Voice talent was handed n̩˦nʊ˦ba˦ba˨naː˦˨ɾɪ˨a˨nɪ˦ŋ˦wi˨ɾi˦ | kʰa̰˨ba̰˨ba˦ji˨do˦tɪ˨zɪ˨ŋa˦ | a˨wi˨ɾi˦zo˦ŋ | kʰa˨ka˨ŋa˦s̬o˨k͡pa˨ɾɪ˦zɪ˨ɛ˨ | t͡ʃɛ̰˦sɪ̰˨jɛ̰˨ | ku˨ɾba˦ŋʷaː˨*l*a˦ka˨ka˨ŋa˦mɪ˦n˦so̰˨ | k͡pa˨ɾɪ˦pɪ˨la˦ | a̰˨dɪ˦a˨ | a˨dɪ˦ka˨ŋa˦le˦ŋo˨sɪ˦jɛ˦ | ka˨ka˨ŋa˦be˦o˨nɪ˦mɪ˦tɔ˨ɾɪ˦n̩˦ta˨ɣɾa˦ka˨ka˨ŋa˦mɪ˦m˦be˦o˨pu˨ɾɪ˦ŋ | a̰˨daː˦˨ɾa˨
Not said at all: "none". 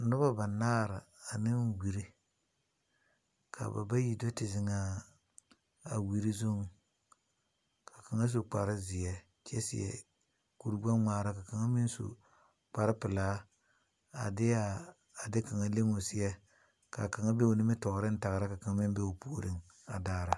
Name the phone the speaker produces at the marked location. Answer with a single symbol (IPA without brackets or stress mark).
ɾ